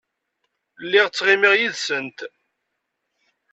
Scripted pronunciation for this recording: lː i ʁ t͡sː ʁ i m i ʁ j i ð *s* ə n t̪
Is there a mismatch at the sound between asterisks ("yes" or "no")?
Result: no